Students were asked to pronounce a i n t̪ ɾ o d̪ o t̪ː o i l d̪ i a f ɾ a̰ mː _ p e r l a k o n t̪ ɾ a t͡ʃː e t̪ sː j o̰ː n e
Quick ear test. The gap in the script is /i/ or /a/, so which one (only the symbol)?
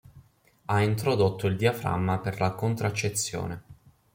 a